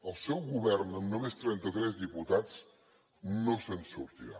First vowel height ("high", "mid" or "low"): mid